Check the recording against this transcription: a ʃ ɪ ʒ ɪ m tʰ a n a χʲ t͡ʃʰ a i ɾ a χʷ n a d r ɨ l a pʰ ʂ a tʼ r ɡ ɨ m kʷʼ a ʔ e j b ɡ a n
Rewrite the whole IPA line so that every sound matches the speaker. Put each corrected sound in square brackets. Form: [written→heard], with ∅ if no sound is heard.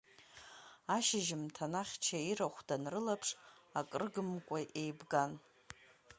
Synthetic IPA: a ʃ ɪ ʒ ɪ m tʰ a n a χʲ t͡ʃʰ a i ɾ a χʷ [n→d] a [d→n] r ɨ l a pʰ ʂ a [tʼ→kʼ] r ɡ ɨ m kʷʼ a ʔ e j b ɡ a n